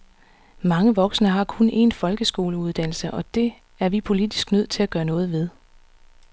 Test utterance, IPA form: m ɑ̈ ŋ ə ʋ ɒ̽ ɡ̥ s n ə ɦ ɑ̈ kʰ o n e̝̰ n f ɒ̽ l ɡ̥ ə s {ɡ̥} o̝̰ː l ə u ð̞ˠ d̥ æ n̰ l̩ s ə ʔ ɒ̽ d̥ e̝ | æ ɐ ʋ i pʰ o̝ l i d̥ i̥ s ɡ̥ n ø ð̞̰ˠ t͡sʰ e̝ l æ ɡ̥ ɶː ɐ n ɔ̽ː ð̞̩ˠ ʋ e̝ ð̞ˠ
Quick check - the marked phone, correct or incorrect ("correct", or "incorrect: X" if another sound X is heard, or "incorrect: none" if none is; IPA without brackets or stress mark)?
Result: correct